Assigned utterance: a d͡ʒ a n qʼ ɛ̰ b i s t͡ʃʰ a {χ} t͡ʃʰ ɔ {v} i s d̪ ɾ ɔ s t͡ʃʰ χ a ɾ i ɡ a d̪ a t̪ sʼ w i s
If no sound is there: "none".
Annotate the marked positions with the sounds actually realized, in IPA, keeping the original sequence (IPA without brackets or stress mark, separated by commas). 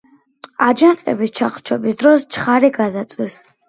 χ, b